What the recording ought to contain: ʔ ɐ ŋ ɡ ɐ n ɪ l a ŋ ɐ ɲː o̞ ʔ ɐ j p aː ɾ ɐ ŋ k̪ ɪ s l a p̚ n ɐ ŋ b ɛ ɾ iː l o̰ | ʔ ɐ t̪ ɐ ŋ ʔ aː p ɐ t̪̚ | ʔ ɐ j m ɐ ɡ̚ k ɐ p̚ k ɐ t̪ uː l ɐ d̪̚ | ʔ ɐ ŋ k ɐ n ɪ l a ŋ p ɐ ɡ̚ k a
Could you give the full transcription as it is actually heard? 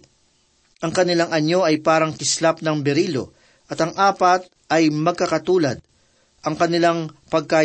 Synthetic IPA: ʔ ɐ ŋ k ɐ n ɪ l a ŋ ɐ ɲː o̞ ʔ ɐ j p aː ɾ ɐ ŋ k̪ ɪ s l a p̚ n ɐ ŋ b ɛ ɾ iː l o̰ | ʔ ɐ t̪ ɐ ŋ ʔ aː p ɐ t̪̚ | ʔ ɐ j m ɐ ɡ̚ k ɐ k ɐ t̪ uː l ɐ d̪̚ | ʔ ɐ ŋ k ɐ n ɪ l a ŋ p ɐ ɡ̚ k a